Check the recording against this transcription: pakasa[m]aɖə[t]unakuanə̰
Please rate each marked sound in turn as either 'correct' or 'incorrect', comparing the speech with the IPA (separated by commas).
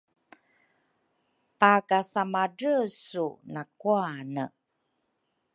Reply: correct, incorrect